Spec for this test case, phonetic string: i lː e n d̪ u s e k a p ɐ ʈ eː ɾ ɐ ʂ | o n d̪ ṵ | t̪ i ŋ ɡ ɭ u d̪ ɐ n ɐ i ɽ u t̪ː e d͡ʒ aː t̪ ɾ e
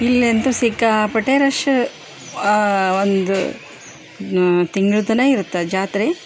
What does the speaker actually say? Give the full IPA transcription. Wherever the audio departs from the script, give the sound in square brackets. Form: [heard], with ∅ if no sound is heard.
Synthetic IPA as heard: i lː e n [t̪] u s [i] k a p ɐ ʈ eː ɾ ɐ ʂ | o n d̪ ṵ | t̪ i ŋ ɡ ɭ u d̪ ɐ n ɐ i [ɾ] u t̪ː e d͡ʒ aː t̪ ɾ e